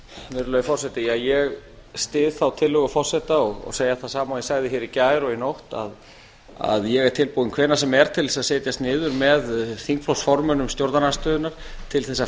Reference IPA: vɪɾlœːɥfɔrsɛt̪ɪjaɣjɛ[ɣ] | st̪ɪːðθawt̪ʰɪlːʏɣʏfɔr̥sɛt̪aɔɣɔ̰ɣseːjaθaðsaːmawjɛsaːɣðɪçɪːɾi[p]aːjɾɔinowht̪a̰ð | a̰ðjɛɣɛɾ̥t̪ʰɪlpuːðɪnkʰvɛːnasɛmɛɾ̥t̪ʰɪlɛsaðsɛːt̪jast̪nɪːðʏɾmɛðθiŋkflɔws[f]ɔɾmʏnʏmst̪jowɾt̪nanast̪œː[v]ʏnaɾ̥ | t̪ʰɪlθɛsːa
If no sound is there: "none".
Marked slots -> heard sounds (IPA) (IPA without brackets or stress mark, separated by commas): ɣ, c, f, ð